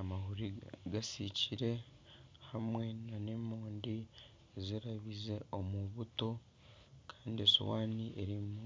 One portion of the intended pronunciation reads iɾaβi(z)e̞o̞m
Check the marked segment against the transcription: correct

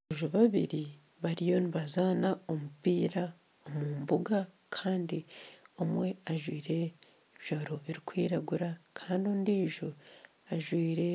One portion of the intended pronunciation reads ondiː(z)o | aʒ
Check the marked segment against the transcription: incorrect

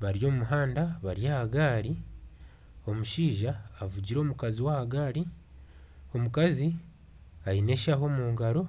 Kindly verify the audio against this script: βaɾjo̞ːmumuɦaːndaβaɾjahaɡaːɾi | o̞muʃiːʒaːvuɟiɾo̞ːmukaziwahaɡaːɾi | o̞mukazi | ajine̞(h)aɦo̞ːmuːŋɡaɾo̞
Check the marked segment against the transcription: incorrect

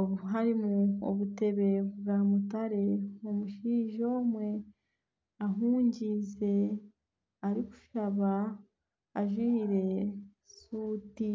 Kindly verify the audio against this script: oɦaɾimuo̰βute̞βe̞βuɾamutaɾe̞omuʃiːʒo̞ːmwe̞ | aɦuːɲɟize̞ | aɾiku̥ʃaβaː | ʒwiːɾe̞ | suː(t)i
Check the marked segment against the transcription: correct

